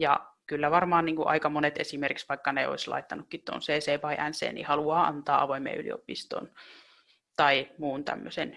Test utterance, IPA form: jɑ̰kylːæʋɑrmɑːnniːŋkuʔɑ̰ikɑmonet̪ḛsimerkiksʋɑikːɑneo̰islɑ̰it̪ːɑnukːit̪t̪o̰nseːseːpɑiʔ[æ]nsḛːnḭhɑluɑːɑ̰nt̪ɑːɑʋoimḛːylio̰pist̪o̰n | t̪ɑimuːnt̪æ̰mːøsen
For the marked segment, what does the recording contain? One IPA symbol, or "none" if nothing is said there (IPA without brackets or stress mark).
æ